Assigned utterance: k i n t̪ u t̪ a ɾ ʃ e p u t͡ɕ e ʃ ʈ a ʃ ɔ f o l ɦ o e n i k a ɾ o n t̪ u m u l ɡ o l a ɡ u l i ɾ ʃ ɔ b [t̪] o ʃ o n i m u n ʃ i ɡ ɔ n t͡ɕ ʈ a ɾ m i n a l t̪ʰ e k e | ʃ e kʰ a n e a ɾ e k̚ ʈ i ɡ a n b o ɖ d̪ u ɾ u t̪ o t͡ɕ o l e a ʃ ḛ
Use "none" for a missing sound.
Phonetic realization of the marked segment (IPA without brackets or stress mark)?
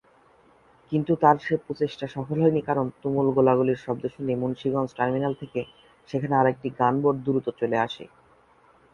d̪